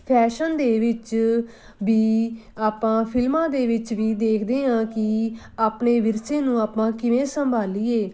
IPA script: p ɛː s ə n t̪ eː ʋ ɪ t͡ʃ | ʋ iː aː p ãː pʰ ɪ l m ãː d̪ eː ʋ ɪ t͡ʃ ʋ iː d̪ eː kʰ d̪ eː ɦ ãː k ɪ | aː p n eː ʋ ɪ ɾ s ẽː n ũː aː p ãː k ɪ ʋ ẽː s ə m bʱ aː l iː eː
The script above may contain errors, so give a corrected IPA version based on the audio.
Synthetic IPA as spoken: pʰ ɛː ʃ ə n d̪ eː ʋ ɪ t͡ʃ | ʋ iː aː p ãː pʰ ɪ l m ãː d̪ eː ʋ ɪ t͡ʃ ʋ iː d̪ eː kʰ d̪ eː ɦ ãː k ɪ | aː p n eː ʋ ɪ ɾ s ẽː n ũː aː p ãː k ɪ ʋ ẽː s ə m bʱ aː l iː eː